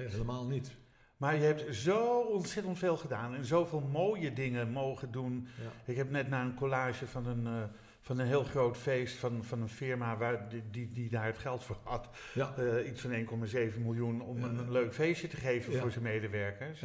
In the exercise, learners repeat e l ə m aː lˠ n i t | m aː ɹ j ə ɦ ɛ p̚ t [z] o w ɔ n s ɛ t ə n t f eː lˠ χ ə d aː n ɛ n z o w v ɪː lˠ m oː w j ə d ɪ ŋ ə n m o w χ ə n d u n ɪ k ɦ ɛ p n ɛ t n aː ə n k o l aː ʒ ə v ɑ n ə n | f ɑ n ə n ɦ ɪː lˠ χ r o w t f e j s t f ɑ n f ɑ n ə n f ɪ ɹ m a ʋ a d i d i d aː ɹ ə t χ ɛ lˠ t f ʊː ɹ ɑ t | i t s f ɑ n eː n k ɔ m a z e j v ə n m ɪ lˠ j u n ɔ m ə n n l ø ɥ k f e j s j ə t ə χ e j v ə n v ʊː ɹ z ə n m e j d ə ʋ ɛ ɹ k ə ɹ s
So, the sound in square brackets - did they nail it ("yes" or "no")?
yes